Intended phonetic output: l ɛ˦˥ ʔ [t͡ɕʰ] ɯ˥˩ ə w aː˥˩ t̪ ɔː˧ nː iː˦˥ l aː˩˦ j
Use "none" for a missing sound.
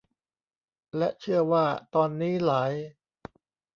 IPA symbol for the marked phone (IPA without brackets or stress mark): t͡ɕʰ